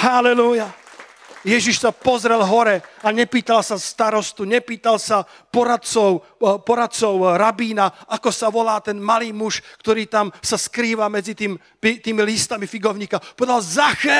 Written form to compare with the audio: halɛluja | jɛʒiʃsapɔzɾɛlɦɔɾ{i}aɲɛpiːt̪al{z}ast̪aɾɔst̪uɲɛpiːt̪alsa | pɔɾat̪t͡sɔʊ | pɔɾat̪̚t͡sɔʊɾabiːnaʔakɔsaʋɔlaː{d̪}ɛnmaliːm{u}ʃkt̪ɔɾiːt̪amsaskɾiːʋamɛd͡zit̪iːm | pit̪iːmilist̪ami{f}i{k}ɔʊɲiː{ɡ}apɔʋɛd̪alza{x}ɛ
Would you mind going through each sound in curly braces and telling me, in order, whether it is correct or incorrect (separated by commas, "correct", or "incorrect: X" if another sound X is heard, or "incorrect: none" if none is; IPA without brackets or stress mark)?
incorrect: ɛ, incorrect: s, incorrect: t̪, correct, correct, incorrect: ɡ, incorrect: k, correct